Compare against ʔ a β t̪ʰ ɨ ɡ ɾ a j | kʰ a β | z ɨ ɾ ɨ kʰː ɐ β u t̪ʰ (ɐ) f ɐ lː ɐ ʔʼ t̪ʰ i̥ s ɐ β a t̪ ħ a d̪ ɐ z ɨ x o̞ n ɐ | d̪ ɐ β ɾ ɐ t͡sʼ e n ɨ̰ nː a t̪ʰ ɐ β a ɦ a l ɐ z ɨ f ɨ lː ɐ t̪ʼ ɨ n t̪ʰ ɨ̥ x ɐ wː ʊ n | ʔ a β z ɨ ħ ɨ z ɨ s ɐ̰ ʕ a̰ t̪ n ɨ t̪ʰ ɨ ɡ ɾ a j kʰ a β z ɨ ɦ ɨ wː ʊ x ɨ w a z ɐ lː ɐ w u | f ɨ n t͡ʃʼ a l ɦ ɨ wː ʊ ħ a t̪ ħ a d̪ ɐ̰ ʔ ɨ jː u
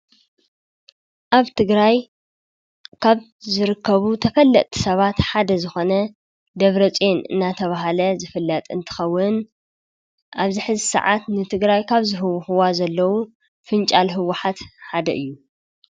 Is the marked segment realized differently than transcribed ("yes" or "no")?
no